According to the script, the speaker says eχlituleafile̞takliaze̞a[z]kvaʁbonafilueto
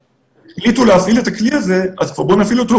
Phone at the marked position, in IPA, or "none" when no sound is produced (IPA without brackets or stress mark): z